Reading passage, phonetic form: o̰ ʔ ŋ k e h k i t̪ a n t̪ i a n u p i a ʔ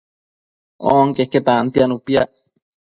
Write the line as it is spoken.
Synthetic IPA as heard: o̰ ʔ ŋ k e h k e t̪ a n t̪ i a n u p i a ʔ